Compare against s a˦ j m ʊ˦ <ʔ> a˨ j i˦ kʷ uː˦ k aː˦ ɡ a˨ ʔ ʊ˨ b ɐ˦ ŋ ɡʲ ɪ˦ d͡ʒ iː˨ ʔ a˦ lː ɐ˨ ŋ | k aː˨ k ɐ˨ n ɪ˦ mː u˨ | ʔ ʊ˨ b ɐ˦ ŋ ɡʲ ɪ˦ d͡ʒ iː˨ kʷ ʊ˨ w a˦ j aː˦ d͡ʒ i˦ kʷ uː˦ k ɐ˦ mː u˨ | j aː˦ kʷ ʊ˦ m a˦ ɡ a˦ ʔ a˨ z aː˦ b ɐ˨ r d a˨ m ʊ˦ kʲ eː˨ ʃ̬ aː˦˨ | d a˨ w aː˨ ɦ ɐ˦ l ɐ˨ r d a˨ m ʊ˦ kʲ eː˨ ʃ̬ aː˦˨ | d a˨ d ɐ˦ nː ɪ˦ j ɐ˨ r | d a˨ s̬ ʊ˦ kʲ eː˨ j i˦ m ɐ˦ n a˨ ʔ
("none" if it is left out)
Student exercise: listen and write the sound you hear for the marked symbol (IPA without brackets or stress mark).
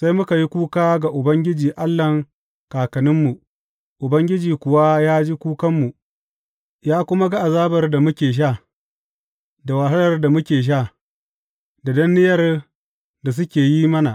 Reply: k